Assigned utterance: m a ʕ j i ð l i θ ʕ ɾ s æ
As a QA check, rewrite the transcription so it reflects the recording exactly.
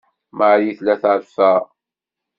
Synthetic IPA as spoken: m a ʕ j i θ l æ θ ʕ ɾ f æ